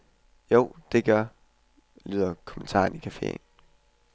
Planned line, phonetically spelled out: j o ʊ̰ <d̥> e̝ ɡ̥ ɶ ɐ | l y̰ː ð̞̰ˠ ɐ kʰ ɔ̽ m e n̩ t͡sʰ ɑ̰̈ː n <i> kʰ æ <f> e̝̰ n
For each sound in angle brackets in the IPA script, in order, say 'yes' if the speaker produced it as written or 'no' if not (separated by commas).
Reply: yes, yes, yes